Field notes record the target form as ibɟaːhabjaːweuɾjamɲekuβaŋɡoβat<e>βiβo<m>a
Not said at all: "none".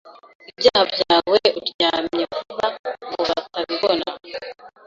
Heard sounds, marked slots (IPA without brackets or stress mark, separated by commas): a, n